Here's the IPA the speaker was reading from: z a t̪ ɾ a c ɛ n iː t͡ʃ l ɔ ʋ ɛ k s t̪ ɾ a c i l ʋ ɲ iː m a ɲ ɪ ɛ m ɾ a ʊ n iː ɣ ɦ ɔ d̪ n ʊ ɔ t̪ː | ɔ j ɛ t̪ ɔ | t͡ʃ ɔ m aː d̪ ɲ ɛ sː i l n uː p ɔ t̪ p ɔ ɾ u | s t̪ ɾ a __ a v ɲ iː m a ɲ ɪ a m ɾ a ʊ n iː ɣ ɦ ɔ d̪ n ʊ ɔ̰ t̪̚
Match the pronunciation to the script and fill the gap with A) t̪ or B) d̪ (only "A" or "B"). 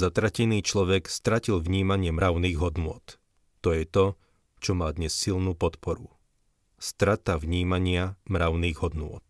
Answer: A